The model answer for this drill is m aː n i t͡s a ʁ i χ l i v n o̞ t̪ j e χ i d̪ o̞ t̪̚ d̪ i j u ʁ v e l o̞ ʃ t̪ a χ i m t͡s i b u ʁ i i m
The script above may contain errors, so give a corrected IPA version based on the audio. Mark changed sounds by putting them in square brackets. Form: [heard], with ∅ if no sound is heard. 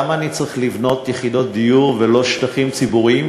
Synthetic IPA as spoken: m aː n i t͡s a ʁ i χ l i v n o̞ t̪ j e χ i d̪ o̞ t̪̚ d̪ i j u ʁ v e l o̞ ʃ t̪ a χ i m t͡s i b u ʁ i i m